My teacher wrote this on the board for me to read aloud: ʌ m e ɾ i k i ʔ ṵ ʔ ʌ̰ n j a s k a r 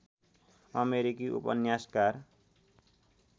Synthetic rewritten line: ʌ m e ɾ i k i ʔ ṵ p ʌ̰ n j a s k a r